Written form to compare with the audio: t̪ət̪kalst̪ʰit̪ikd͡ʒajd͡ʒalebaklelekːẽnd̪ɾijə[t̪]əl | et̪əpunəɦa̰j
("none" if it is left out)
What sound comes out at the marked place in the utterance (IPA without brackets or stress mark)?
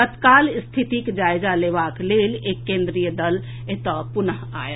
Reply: d̪